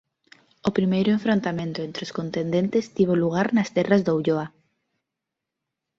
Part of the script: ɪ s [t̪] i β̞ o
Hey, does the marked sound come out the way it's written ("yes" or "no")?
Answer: yes